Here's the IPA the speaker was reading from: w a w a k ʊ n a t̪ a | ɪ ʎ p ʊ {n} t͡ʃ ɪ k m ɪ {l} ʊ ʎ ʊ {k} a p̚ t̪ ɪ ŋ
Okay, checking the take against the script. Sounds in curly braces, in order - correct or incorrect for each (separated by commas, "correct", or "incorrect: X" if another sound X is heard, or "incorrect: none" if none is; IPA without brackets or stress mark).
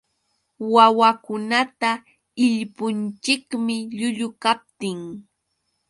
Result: correct, incorrect: ʎ, correct